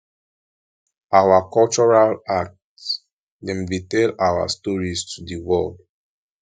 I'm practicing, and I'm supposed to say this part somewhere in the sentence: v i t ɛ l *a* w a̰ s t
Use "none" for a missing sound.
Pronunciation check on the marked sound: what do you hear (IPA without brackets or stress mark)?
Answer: a